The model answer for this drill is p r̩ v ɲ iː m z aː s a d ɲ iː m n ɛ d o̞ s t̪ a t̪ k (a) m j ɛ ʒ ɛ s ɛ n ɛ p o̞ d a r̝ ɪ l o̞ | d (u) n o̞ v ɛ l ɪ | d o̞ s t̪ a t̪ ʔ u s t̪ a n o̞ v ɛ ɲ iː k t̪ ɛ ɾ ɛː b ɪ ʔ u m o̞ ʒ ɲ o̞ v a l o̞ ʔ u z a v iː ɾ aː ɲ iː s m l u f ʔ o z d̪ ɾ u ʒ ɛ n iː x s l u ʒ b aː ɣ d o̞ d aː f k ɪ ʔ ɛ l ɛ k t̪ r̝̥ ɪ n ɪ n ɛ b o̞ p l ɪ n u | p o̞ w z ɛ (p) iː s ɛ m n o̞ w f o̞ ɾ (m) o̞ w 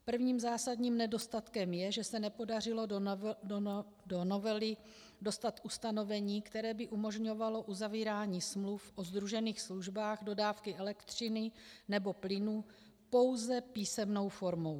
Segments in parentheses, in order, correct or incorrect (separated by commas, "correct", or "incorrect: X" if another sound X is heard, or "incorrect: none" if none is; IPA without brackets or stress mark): incorrect: ɛ, incorrect: o, correct, correct